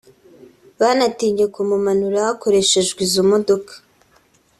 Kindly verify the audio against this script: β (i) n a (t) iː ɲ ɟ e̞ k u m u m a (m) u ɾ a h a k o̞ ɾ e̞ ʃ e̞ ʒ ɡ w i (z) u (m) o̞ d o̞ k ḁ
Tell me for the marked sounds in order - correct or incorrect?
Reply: incorrect: a, correct, incorrect: n, correct, correct

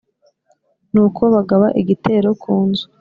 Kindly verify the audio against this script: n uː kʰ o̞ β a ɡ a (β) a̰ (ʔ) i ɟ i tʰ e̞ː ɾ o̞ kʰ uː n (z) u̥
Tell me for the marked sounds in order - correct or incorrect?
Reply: correct, correct, correct

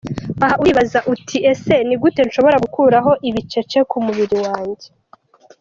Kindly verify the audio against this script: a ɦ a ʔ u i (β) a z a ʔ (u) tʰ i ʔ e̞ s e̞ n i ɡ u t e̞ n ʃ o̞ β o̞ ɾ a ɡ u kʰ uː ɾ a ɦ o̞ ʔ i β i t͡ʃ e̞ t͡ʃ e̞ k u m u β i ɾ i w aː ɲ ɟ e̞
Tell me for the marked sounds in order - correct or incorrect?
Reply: correct, correct

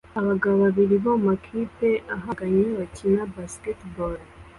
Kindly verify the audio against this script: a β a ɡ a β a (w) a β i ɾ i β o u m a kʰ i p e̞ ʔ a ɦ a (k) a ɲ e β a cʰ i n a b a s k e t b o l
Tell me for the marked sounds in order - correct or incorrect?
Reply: incorrect: β, incorrect: ɡ

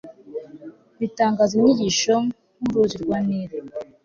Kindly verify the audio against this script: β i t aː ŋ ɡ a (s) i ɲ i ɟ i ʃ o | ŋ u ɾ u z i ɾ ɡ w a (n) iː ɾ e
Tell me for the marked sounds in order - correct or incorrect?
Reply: incorrect: z, correct

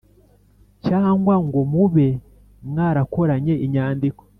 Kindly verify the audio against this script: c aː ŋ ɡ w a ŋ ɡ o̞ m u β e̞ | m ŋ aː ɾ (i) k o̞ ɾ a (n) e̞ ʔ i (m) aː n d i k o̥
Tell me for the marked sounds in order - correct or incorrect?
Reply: incorrect: a, incorrect: ɲ, incorrect: ɲ

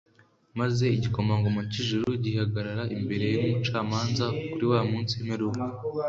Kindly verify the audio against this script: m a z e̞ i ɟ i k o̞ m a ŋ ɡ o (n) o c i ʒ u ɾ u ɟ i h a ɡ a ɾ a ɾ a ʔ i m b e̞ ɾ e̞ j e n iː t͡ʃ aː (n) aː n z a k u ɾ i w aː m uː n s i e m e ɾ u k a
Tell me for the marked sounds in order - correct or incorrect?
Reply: incorrect: m, incorrect: m

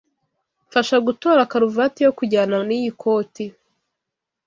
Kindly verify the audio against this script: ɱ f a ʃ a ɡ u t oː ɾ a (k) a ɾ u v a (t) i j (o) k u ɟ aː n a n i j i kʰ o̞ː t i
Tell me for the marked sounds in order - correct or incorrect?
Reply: correct, correct, correct

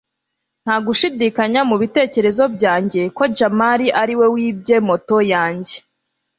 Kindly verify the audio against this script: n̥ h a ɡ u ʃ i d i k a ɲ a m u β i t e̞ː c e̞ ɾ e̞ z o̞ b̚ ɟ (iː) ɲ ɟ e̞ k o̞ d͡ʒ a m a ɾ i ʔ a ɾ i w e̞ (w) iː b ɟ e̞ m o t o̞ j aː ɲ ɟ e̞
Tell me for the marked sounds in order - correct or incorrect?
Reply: incorrect: aː, correct

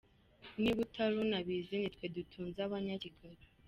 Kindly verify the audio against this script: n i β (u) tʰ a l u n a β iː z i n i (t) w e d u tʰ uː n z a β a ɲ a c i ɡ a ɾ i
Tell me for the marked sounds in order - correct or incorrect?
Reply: correct, correct

